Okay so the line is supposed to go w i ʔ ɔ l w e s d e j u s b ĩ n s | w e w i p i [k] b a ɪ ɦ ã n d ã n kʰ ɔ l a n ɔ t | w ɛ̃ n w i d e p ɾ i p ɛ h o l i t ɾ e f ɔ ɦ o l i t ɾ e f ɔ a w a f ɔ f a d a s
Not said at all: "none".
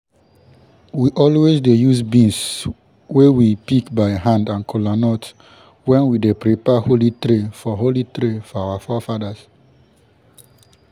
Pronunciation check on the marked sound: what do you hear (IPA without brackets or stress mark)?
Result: k